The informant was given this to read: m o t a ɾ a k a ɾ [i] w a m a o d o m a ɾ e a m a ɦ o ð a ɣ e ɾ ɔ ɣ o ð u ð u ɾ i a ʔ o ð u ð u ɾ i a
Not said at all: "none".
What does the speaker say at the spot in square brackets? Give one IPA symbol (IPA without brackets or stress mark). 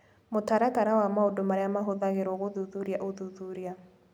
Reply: a